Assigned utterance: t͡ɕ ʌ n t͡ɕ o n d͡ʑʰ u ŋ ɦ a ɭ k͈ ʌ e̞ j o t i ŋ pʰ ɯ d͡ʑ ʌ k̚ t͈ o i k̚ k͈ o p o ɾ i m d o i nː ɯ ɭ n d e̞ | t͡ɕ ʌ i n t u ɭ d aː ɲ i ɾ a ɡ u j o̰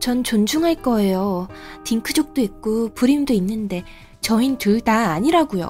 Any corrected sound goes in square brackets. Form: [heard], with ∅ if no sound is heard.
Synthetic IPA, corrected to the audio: t͡ɕ ʌ n t͡ɕ o n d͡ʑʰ u ŋ ɦ a ɭ k͈ ʌ e̞ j o t i ŋ [kʰ] ɯ d͡ʑ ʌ k̚ t͈ o i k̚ k͈ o p [u] ɾ i m d o i nː ɯ [∅] n d e̞ | t͡ɕ ʌ i n t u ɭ d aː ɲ i ɾ a ɡ u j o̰